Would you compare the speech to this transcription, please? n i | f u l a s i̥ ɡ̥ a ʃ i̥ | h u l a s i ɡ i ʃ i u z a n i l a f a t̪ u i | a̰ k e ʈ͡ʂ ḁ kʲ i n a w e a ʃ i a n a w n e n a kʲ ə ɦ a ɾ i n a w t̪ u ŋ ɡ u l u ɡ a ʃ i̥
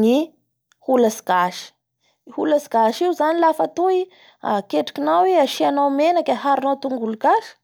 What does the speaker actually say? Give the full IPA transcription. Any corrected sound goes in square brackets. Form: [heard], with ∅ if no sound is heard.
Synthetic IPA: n i | [h] u l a s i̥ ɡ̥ a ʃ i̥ | h u l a s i ɡ [a] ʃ i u z a n i l a f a t̪ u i | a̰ k e ʈ͡ʂ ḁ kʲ i n a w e a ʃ i a n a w [m] e n a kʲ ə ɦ a ɾ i n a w t̪ u ŋ ɡ u l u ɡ a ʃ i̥